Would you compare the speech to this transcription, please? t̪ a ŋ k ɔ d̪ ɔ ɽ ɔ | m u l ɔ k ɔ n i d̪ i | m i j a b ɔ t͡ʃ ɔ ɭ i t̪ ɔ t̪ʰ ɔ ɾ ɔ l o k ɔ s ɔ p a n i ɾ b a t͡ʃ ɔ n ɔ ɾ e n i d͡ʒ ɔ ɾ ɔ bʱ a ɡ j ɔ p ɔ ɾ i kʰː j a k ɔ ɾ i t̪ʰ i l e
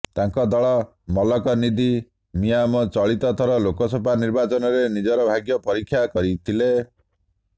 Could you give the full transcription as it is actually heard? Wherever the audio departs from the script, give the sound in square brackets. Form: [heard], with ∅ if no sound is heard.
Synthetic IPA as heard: t̪ a ŋ k ɔ d̪ ɔ [ɭ] ɔ | m [ɔ] l ɔ k ɔ n i d̪ i | m i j a [m] ɔ t͡ʃ ɔ ɭ i t̪ ɔ t̪ʰ ɔ ɾ ɔ l o k ɔ s ɔ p a n i ɾ b a t͡ʃ ɔ n ɔ ɾ e n i d͡ʒ ɔ ɾ ɔ bʱ a ɡ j ɔ p ɔ ɾ i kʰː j a k ɔ ɾ i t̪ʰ i l e